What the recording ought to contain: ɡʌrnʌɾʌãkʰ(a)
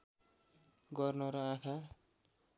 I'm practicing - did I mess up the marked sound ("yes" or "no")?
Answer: no